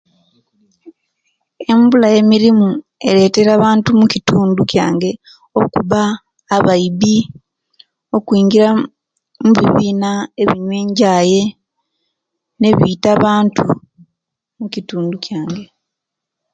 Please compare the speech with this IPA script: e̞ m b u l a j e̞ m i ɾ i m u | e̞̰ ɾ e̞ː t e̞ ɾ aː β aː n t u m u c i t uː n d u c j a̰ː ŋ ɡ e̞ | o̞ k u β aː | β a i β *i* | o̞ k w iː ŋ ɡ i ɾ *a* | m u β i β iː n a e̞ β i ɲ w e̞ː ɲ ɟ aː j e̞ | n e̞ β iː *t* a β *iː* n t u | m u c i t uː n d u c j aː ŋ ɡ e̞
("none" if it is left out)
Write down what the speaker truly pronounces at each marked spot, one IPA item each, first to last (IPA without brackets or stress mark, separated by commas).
i, a, t, aː